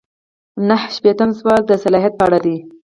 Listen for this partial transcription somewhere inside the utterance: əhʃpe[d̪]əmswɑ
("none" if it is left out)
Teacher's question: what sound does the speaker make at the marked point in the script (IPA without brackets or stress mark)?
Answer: t̪